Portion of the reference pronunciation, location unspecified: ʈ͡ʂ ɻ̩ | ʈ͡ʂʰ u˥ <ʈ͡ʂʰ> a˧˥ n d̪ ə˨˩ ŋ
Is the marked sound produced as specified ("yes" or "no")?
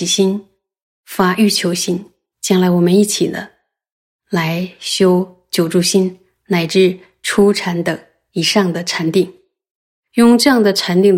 yes